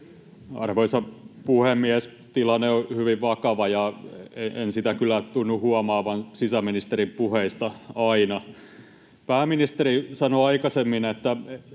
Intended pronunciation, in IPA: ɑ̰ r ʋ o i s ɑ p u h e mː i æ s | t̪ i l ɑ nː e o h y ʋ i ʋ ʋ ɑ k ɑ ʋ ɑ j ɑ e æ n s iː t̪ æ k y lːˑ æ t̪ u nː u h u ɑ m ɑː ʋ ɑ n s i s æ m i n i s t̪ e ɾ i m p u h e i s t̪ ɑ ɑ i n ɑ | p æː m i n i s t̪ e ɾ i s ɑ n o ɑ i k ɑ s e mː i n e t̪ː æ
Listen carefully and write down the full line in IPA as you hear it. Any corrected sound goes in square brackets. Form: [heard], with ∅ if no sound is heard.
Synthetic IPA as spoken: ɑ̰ r ʋ o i s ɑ p u h e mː i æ s | t̪ i l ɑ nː e o h y ʋ i ʋ ʋ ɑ k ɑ ʋ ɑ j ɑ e [e] n s [i] t̪ æ k y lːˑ æ t̪ u nː u h u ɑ m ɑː ʋ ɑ n s i s æ m i n i s t̪ e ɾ i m p u h e i s t̪ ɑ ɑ i n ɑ | p æː m i n i s t̪ e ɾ i s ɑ n o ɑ i k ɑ s e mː i n e t̪ː æ